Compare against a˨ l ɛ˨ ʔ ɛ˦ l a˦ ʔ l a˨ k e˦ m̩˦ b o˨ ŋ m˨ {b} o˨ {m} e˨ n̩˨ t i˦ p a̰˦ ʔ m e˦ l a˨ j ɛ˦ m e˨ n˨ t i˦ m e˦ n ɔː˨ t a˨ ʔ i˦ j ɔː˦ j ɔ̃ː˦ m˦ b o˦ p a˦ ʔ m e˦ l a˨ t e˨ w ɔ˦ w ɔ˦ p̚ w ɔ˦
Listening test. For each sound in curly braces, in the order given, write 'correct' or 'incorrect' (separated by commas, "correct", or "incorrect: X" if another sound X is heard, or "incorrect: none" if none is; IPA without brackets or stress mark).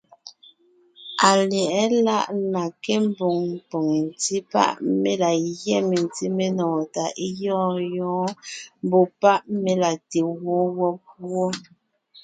incorrect: p, incorrect: ŋ